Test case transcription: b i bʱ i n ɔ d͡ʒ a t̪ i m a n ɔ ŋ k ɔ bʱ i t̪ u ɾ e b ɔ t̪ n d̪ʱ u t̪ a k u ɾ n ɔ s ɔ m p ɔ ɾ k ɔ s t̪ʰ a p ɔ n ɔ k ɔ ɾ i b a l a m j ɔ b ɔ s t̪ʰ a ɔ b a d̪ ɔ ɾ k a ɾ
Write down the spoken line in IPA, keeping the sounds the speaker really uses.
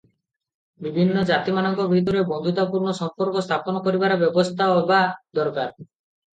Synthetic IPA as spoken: b i bʱ i nː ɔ d͡ʒ a t̪ i m a n ɔ ŋ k ɔ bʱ i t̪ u ɾ e b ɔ n d̪ʱ u t̪ a p u ɾ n ɔ s ɔ m p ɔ ɾ k ɔ s t̪ʰ a p ɔ n ɔ k ɔ ɾ i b a ɾ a b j ɔ b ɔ s t̪ʰ a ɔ b a d̪ ɔ ɾ k a ɾ